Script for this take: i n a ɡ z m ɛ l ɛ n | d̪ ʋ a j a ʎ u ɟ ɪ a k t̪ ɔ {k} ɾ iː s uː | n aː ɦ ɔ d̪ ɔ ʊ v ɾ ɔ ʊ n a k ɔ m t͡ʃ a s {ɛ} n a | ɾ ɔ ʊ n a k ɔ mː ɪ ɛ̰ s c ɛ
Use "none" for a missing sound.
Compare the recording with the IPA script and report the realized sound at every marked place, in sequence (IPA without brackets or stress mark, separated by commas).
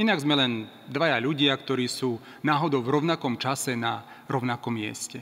none, ɛ